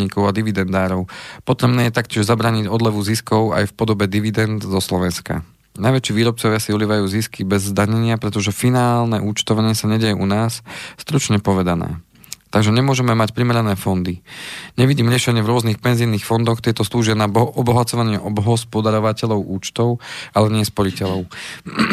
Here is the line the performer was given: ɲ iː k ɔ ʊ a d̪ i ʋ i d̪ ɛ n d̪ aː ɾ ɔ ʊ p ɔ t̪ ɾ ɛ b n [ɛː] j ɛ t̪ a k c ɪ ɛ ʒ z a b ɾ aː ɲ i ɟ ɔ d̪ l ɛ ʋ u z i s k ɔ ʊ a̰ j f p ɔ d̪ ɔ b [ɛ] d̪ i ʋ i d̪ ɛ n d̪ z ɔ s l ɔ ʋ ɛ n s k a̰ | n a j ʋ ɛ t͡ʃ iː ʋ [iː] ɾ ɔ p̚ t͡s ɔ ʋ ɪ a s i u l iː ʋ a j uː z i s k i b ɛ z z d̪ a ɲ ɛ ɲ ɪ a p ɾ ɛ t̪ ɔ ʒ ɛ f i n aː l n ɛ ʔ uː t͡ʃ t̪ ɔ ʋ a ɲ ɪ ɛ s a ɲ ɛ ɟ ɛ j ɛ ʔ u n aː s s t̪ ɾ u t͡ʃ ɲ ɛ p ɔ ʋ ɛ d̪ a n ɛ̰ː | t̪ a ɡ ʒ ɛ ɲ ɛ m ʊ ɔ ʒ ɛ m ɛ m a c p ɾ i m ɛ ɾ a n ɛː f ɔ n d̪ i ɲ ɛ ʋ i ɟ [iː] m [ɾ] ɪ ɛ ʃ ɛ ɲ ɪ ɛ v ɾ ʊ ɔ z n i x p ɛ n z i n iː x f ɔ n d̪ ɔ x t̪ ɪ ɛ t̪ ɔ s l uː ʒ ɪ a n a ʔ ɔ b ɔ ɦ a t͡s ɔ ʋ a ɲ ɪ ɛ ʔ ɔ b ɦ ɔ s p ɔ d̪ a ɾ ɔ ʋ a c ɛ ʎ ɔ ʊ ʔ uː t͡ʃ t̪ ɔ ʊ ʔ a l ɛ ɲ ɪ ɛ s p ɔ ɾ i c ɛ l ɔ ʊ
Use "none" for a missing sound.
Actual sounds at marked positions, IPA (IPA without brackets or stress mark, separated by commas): ɛː, ɛ, iː, iː, ɾ